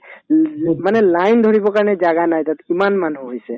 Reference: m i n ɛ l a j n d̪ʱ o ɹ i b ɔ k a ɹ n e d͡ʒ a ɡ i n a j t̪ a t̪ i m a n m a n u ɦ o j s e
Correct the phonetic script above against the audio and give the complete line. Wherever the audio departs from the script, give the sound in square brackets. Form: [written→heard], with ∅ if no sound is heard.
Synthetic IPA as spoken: m [i→a] n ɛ l a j n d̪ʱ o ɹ i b ɔ k a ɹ n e d͡ʒ a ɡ [i→a] n a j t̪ a t̪ i m a n m a n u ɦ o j s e